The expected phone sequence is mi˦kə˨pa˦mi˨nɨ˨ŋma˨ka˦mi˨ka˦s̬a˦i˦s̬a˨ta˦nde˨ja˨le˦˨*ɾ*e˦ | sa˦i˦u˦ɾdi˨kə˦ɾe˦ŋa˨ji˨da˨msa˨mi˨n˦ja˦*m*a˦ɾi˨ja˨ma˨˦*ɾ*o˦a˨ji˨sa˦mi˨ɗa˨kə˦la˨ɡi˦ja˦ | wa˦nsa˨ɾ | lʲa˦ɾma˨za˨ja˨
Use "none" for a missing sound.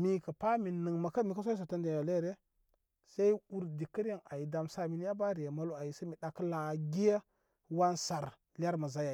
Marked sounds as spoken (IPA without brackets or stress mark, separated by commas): ɾ, b, l